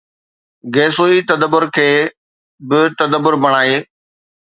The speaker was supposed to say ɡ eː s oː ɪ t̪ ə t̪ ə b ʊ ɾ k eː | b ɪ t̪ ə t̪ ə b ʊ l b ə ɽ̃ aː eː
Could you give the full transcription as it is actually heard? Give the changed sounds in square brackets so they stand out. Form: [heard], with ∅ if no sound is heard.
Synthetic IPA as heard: ɡ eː s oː [i] t̪ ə [d̪] ə b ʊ ɾ [kʰ] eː | b ɪ t̪ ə [d̪] ə b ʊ [ɾ] b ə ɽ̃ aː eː